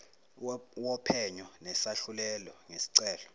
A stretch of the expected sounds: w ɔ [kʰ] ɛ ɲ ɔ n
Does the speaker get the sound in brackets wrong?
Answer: yes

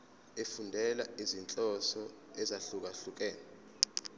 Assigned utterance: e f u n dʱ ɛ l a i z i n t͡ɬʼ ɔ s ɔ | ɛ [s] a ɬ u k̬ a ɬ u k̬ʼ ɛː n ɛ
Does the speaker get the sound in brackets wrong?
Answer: yes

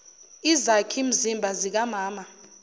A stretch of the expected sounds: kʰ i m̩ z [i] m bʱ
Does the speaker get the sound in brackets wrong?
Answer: no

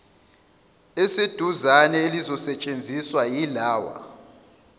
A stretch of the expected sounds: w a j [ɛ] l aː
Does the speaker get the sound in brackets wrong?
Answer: yes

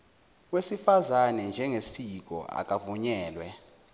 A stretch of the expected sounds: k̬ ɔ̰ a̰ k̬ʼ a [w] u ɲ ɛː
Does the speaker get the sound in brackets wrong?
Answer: yes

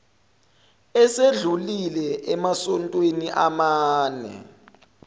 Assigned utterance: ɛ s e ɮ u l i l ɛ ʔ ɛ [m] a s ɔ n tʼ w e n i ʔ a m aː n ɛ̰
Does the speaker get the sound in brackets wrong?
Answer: no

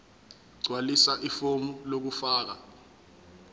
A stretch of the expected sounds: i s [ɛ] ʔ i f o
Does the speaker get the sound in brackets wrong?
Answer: yes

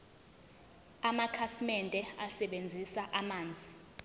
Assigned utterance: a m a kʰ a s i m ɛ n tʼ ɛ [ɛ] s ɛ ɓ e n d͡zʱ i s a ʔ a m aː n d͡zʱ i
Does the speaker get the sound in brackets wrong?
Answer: yes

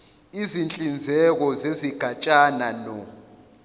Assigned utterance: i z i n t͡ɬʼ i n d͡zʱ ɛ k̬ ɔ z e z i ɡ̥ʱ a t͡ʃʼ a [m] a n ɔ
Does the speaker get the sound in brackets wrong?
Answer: yes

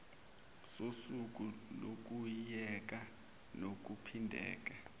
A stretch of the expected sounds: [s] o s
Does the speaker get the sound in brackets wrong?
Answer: no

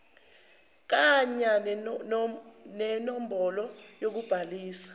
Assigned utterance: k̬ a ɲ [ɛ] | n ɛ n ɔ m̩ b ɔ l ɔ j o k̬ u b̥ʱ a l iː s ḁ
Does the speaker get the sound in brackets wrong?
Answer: yes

